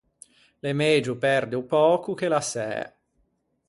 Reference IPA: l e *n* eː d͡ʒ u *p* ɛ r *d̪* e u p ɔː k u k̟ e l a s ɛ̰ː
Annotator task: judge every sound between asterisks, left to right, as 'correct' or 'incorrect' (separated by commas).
incorrect, correct, correct